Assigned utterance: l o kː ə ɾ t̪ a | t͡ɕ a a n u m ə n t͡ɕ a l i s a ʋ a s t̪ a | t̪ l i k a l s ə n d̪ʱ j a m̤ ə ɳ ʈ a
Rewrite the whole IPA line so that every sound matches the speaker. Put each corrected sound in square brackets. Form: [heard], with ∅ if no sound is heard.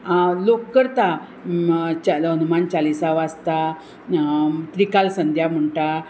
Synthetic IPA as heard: l o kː ə ɾ t̪ a | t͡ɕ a [ə] n u m [a] n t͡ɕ a l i s a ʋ a s t̪ a | t̪ [ɾ] i k a l s ə n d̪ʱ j a m̤ ə ɳ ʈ a